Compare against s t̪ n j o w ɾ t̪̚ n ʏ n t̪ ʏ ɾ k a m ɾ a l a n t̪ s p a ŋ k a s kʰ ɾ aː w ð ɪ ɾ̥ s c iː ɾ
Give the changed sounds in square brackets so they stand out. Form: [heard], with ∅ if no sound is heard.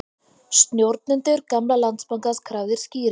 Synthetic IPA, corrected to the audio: s t̪ n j o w ɾ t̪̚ n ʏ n t̪ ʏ ɾ k a m [l] a l a n t̪ s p a ŋ k a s kʰ ɾ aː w ð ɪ ɾ̥ s c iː ɾ